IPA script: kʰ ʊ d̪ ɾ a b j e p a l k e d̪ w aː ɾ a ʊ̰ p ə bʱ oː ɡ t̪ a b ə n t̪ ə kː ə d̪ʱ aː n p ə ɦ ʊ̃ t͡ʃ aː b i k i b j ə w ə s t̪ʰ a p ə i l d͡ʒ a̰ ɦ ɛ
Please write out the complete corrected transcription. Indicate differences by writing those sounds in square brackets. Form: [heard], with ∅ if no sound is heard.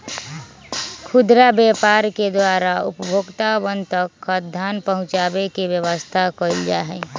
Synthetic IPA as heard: kʰ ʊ d̪ ɾ a b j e p a [ɾ] k e d̪ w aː ɾ a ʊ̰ p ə bʱ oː ɡ t̪ a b ə n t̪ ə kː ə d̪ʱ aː n p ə ɦ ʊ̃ t͡ʃ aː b [e] k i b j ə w ə s t̪ʰ a [k] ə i l d͡ʒ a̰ ɦ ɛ